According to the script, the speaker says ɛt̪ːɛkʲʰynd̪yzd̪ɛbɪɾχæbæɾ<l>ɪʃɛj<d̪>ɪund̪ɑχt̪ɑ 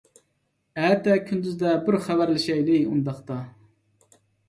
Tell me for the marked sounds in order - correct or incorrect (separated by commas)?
correct, correct